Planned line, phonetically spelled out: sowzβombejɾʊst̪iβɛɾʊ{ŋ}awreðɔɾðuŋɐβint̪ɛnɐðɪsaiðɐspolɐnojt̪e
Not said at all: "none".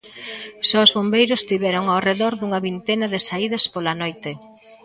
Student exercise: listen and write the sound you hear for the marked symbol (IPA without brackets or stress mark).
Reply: ŋ